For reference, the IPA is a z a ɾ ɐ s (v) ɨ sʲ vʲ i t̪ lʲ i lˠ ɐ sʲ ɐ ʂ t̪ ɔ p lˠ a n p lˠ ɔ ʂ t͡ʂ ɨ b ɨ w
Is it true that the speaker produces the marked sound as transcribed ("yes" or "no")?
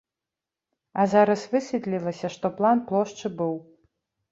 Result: yes